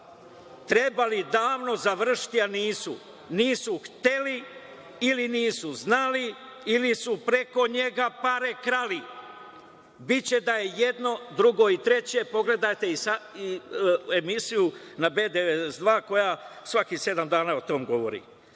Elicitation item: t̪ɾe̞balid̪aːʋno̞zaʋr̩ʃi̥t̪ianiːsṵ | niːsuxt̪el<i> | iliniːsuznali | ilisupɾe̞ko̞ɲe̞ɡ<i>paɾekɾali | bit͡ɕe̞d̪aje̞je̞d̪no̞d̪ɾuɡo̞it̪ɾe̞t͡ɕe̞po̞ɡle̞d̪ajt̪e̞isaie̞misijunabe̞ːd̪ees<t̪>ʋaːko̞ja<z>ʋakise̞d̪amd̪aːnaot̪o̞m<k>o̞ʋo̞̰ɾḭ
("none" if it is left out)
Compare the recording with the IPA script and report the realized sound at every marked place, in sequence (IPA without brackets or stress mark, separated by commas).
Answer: i, a, d̪, s, ɡ